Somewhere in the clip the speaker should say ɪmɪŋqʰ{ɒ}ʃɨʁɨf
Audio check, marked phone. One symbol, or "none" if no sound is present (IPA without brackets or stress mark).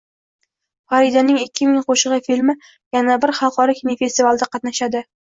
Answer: o